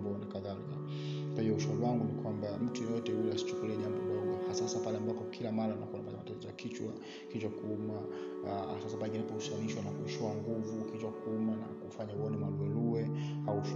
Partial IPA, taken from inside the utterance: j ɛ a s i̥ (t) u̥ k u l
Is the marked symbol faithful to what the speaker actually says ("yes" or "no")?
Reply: no